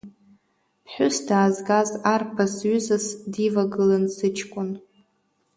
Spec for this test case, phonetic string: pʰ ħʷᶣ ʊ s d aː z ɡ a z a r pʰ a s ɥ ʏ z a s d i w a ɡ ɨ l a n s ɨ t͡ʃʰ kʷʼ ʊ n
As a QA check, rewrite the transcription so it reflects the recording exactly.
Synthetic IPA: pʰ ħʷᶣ ʊ s d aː z ɡ a z a r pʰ a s ɥ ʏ z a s d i v a ɡ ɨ l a n s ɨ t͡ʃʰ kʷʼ ʊ n